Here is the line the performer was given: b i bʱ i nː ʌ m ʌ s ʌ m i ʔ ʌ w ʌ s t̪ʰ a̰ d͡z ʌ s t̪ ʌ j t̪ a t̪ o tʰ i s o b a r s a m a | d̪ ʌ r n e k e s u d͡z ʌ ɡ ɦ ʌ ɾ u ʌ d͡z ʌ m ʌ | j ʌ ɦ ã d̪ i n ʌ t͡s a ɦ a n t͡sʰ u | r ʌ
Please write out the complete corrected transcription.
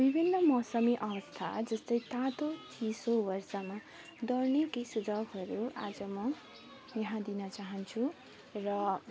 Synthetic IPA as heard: b i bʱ i nː ʌ m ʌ s ʌ m i ʔ ʌ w ʌ s t̪ʰ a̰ d͡z ʌ s t̪ ʌ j t̪ a t̪ o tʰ i s o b ʌ r s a m a | d̪ ʌ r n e k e s u d͡z ʌ ɡ ɦ ʌ ɾ u a d͡z ʌ m ʌ | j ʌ ɦ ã d̪ i n ʌ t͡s a ɦ ʌ n t͡sʰ u | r ʌ